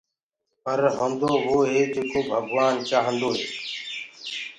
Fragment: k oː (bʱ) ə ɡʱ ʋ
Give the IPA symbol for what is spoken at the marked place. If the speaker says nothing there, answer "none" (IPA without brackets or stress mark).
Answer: bʱ